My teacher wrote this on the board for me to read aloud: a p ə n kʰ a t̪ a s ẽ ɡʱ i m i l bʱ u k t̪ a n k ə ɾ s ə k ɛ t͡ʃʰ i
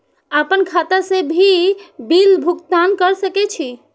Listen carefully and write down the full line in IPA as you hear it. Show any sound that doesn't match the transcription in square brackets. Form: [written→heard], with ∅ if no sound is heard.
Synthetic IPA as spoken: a p ə n kʰ a t̪ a s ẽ [ɡʱ→bʱ] i [m→b] i l bʱ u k t̪ a n k ə ɾ s ə k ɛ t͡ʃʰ i